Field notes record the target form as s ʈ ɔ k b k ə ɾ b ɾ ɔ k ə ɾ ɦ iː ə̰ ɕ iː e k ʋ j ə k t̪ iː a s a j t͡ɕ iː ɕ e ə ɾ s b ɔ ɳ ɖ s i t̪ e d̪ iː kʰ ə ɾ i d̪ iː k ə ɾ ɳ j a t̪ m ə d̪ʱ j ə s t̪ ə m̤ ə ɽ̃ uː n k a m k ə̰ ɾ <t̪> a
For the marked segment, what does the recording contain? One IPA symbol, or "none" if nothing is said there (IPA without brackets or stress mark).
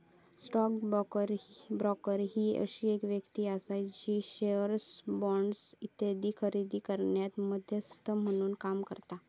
t̪